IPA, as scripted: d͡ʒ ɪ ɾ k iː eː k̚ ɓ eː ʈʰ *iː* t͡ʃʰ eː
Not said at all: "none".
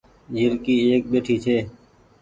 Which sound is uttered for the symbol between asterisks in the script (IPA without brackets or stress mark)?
iː